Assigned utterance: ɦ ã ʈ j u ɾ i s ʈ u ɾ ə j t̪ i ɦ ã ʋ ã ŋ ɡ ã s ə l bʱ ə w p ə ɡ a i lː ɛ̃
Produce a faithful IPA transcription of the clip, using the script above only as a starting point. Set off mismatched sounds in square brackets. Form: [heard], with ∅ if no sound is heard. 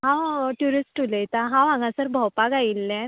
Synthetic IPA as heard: ɦ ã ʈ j u ɾ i s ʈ u [l] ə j t̪ [a] ɦ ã ʋ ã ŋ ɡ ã s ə [ɾ] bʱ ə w p [a] ɡ a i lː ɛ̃